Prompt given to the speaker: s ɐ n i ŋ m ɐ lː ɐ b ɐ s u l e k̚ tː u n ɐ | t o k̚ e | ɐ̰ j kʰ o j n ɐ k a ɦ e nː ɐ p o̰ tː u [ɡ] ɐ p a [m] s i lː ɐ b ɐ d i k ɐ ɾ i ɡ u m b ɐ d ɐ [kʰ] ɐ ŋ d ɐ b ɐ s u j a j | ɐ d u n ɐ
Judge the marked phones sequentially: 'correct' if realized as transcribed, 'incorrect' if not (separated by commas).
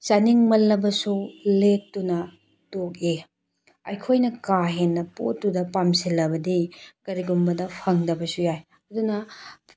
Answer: incorrect, correct, incorrect